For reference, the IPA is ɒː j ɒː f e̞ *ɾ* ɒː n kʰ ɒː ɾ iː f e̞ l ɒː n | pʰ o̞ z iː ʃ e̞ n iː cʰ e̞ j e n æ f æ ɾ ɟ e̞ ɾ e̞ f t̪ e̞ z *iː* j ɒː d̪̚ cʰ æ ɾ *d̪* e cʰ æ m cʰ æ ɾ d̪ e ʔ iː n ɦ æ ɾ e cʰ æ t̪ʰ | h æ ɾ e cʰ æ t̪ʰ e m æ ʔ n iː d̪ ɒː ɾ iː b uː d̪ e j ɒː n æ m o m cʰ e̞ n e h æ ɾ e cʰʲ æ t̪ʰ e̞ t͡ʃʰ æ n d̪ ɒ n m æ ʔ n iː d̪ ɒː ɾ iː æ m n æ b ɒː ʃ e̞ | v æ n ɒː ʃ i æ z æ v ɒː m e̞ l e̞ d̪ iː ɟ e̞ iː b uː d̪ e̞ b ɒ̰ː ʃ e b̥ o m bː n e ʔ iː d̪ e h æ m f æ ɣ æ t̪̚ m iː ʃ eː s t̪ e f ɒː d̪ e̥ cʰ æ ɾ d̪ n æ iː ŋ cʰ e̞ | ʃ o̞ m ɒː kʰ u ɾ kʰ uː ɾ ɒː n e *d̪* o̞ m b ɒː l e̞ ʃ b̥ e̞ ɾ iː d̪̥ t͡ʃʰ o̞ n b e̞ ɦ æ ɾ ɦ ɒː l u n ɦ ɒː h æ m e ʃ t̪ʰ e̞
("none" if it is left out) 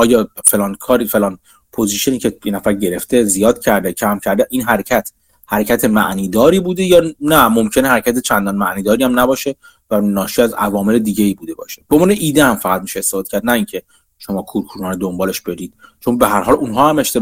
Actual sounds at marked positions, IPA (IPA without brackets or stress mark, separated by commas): l, i, d̪, d̪